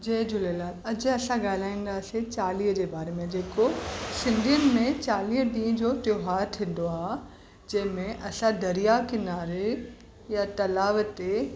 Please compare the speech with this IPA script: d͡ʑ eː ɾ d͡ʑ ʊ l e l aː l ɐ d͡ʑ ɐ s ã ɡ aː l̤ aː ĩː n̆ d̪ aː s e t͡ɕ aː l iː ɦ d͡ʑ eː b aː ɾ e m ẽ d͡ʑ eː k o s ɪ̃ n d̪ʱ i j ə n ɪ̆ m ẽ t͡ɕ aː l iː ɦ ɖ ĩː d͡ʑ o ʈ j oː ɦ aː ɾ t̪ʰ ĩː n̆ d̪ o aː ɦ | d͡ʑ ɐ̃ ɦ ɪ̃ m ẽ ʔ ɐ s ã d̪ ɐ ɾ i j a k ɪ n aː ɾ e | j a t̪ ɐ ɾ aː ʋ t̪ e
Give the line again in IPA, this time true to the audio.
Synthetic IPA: d͡ʑ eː d͡ʑ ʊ l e l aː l ɐ d͡ʑ ɐ s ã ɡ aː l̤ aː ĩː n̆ d̪ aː s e t͡ɕ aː l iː ɦ d͡ʑ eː b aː ɾ e m ẽ d͡ʑ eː k o s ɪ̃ n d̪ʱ i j ə n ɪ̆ m ẽ t͡ɕ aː l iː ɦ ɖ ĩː d͡ʑ o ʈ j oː ɦ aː ɾ t̪ʰ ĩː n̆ d̪ o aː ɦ | d͡ʑ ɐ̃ ɦ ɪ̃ m ẽ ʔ ɐ s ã d̪ ɐ ɾ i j a k ɪ n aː ɾ e | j a t̪ ɐ l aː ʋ t̪ e